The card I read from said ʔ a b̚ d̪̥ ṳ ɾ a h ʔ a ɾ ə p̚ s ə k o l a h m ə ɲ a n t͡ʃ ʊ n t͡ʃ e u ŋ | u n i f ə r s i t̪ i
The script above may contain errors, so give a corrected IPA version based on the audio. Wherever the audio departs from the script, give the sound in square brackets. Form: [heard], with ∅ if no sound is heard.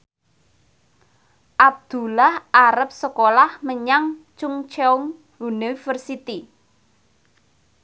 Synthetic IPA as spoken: ʔ a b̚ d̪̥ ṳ [l] a h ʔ a ɾ ə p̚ s ə k o l a h m ə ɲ a [ŋ] t͡ʃ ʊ [ŋ] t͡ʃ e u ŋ | u n i f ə r s i t̪ i

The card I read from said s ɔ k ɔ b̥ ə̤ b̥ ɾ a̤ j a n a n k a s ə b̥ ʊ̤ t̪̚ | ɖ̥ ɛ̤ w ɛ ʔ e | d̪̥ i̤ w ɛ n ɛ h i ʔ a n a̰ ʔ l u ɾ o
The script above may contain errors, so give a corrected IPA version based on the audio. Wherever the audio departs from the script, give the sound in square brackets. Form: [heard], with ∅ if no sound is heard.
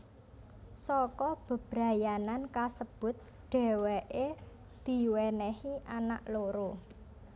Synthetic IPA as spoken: s ɔ k ɔ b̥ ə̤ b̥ ɾ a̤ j a n a n k a s ə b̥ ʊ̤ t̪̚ | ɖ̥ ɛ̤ w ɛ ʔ e | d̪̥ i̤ w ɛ n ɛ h i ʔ a n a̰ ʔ l [o] ɾ o

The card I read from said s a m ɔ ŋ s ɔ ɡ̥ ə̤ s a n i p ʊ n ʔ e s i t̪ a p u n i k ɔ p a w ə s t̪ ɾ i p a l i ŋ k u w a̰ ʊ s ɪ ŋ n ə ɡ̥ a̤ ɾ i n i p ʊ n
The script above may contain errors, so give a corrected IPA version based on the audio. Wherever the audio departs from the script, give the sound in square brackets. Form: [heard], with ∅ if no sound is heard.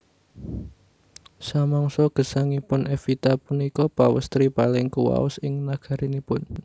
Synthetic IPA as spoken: s a m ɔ ŋ s ɔ ɡ̥ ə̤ s a [ŋ] i p ʊ n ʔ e [f] i t̪ a p u n i k ɔ p a w ə s t̪ ɾ i p a l [ɪ] ŋ k u w a̰ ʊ s ɪ ŋ n [a] ɡ̥ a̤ ɾ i n i p ʊ n

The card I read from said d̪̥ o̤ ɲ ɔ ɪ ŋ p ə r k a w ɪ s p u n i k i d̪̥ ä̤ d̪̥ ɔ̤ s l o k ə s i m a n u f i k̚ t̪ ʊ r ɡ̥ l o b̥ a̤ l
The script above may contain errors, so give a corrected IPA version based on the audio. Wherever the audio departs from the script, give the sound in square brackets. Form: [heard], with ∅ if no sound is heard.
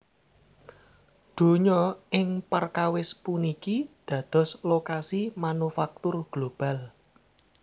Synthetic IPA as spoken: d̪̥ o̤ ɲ ɔ ɪ ŋ p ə r k a w ɪ s p u n i k i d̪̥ ä̤ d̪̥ ɔ̤ s l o k [a] s i m a n u f [a] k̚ t̪ ʊ r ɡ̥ l o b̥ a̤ l

